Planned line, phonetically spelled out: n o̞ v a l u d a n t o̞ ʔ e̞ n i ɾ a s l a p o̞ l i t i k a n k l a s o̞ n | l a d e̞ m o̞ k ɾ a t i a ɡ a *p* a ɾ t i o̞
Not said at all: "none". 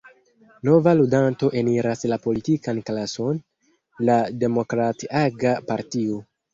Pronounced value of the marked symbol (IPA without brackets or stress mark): p